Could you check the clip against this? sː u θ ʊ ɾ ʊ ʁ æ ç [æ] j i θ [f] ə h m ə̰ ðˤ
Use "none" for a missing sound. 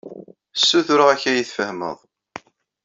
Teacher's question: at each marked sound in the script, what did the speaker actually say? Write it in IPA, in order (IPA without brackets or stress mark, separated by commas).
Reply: æ, f